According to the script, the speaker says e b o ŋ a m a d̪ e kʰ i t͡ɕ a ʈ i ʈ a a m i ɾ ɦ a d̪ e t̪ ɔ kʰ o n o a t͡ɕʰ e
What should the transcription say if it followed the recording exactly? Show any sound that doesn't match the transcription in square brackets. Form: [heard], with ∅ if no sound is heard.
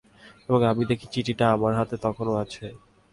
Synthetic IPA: e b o ŋ a m [i] d̪ e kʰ i t͡ɕ [i] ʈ i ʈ a a m [a] ɾ ɦ a [t̪] e t̪ ɔ kʰ o n o a t͡ɕʰ e